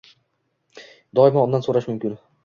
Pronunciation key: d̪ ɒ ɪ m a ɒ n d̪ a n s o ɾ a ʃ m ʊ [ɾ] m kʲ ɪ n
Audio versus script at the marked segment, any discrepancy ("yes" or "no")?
yes